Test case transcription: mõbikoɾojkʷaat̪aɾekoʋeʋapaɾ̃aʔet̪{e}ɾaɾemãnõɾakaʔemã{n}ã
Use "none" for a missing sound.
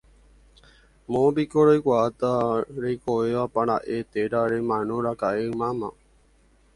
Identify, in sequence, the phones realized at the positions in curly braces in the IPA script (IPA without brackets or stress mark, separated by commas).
e, m